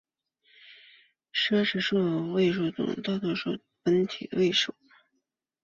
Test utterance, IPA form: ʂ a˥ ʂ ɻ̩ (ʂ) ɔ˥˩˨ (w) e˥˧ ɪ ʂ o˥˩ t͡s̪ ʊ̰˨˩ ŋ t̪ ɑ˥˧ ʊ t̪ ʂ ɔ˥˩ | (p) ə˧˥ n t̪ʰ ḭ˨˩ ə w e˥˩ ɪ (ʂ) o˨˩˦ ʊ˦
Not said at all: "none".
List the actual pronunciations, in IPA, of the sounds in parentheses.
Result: ʂ, w, p, ʂ

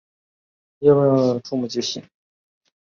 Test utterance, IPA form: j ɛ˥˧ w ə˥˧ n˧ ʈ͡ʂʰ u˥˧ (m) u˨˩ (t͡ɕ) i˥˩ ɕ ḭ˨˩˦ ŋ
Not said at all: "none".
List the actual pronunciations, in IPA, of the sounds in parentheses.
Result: m, t͡ɕ

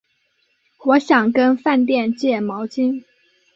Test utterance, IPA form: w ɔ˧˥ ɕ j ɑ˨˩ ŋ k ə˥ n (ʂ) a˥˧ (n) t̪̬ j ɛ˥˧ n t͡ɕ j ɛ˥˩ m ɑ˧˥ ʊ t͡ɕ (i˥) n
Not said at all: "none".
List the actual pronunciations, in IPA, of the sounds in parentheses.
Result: f, n, i˥

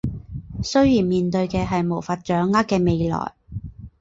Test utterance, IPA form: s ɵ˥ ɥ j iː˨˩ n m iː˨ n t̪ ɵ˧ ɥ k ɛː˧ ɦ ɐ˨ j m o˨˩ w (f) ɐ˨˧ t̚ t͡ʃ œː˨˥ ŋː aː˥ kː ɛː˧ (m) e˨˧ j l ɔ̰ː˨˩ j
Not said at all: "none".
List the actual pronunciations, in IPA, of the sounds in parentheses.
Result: f, m

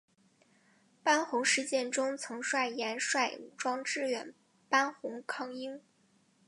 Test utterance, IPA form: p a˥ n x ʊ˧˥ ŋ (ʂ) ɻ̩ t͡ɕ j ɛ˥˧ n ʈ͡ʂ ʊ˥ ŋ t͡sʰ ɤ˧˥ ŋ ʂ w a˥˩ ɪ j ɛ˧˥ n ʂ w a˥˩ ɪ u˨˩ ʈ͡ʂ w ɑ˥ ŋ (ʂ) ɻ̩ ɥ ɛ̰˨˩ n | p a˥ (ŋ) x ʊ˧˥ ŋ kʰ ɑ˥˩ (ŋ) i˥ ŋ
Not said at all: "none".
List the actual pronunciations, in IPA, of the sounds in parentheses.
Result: ʂ, ʈ͡ʂ, n, ŋ

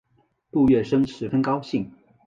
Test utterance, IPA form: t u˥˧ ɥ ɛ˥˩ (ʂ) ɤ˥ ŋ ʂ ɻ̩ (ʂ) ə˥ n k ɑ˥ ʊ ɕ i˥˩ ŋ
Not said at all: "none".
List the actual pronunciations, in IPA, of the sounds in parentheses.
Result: ʂ, f

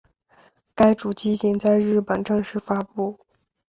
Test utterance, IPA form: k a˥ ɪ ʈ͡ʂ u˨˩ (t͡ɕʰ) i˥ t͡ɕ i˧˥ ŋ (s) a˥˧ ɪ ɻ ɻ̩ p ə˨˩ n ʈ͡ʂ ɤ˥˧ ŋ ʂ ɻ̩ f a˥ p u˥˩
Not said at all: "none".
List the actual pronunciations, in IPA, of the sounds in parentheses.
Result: t͡ɕ, t͡s

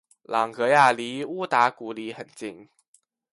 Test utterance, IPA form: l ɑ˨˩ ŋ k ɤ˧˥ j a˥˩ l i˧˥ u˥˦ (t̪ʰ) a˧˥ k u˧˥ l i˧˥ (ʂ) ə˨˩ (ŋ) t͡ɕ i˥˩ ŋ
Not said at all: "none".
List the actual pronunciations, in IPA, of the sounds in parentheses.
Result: t̪, x, n

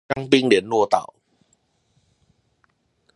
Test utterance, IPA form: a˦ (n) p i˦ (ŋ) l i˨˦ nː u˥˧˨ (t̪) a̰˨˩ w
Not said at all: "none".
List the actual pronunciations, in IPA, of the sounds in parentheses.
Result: ŋ, ŋ, t̪

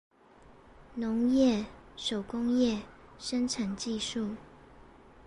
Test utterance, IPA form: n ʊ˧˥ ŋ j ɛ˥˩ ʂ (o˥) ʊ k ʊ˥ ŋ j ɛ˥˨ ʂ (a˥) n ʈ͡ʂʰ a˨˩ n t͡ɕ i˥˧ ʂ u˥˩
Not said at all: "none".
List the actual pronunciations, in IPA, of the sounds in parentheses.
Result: o˨˩, ə˥

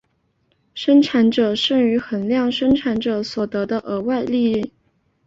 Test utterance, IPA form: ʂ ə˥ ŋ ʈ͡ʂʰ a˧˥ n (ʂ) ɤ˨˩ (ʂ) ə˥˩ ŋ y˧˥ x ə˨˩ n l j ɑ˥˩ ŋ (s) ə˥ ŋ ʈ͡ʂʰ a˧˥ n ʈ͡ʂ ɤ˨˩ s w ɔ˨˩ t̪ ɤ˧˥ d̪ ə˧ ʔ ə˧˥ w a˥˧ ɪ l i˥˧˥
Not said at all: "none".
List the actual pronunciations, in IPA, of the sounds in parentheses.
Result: ʈ͡ʂ, ʂ, ʂ

